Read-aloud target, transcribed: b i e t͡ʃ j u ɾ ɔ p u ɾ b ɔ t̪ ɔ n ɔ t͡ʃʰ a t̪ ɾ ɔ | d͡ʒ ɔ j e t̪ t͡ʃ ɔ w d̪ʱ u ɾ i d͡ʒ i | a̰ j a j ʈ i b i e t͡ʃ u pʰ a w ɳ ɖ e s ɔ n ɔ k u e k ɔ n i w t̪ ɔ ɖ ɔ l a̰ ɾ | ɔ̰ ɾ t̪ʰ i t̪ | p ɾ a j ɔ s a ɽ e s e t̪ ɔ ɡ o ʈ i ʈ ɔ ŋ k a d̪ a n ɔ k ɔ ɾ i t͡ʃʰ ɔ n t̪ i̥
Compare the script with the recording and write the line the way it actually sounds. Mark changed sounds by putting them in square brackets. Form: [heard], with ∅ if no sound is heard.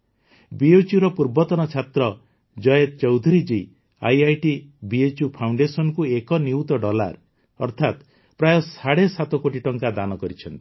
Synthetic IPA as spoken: b i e t͡ʃ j u ɾ ɔ p u ɾ b ɔ t̪ ɔ n ɔ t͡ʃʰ a t̪ ɾ ɔ | d͡ʒ ɔ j e t̪ t͡ʃ ɔ w d̪ʱ u ɾ i d͡ʒ i | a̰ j a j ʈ i b i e t͡ʃ u pʰ a w ɳ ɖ e s ɔ n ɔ k u e k ɔ n i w t̪ ɔ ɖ ɔ l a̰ ɾ | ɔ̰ ɾ t̪ʰ [a] t̪ | p ɾ a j ɔ s a ɽ e s [a] t̪ ɔ [k] o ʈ i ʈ ɔ ŋ k a d̪ a n ɔ k ɔ ɾ i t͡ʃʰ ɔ n t̪ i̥

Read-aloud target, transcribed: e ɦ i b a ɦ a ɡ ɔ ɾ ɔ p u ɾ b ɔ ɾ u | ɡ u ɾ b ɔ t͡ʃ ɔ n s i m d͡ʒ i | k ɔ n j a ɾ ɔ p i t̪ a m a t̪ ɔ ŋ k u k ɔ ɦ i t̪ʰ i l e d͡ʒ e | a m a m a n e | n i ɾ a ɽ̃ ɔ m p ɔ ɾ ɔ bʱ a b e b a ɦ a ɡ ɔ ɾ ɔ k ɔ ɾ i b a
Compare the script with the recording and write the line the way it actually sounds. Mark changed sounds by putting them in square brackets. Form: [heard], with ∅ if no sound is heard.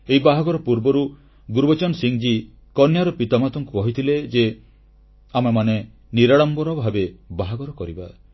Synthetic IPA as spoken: e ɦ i b a ɦ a ɡ ɔ ɾ ɔ p u ɾ b ɔ ɾ u | ɡ u ɾ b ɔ t͡ʃ ɔ n s i [ŋ] d͡ʒ i | k ɔ n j a ɾ ɔ p i t̪ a m a t̪ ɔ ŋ k u k ɔ ɦ i t̪ʰ i l e d͡ʒ e | a m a m a n e | n i ɾ a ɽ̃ ɔ m [b] ɔ ɾ ɔ bʱ a b e b a ɦ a ɡ ɔ ɾ ɔ k ɔ ɾ i b a

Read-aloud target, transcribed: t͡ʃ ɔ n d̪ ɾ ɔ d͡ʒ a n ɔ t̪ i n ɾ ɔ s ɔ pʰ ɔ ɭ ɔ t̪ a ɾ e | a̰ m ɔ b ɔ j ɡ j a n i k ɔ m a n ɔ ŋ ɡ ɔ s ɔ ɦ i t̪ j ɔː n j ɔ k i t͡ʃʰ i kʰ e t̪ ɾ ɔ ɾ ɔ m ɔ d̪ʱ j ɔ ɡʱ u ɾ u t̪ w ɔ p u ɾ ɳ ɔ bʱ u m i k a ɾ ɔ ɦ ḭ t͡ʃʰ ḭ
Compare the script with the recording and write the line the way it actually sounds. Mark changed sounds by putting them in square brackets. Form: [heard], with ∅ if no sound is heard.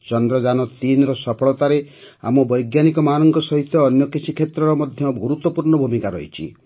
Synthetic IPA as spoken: t͡ʃ ɔ n d̪ ɾ ɔ d͡ʒ a n ɔ t̪ i n ɾ ɔ s ɔ pʰ ɔ ɭ ɔ t̪ a ɾ e | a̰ m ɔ b ɔ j ɡ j a n i k ɔ m a n ɔ ŋ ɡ ɔ s ɔ ɦ i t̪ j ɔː n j ɔ k i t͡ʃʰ i kʰ e t̪ ɾ ɔ ɾ ɔ m ɔ d̪ʱ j ɔ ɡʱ u ɾ u t̪ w ɔ p u ɾ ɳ ɔ bʱ u m i k a ɾ ɔ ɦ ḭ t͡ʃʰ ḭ

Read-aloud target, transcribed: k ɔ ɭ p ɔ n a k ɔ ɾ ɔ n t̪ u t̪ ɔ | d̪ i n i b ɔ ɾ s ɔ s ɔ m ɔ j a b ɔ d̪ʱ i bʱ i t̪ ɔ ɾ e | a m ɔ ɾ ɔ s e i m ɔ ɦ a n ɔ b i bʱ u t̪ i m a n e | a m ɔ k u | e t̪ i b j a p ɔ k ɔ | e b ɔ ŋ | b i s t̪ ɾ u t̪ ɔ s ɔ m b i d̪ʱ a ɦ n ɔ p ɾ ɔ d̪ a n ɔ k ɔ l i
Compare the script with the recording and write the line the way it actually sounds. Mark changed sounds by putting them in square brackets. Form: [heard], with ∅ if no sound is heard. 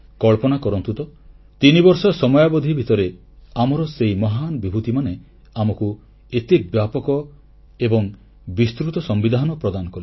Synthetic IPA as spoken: k ɔ ɭ p ɔ n a k ɔ ɾ ɔ n t̪ u t̪ ɔ | [t̪] i n i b ɔ ɾ s ɔ s ɔ m ɔ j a b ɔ d̪ʱ i bʱ i t̪ ɔ ɾ e | a m ɔ ɾ ɔ s e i m ɔ ɦ a n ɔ b i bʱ u t̪ i m a n e | a m ɔ k u | e t̪ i b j a p ɔ k ɔ | e b ɔ ŋ | b i s t̪ ɾ u t̪ ɔ s ɔ m b i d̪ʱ a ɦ n ɔ p ɾ ɔ d̪ a n ɔ k ɔ l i

